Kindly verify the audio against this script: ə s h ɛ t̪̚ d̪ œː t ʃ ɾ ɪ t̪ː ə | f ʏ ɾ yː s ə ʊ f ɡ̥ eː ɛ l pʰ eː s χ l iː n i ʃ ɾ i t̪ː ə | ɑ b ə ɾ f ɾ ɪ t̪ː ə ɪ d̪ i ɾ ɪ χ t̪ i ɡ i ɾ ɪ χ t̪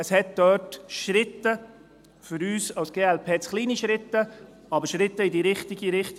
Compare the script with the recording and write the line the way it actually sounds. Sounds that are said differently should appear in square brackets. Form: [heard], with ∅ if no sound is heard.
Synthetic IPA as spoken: ə s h ɛ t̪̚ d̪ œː t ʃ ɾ ɪ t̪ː ə | f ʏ ɾ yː s [ɑ] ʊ [s] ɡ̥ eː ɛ l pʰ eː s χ l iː n i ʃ ɾ [ɪ] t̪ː ə | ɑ b ə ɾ [ʃ] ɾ ɪ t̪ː ə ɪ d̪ i ɾ ɪ χ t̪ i ɡ i ɾ ɪ χ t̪